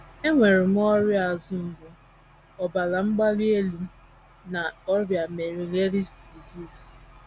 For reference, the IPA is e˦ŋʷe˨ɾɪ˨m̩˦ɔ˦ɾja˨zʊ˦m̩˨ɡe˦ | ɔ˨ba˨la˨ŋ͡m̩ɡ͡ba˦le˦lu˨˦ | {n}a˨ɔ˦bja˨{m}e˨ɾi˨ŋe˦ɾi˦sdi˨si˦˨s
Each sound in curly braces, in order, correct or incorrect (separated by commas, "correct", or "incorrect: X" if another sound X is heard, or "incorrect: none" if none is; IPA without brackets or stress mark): correct, correct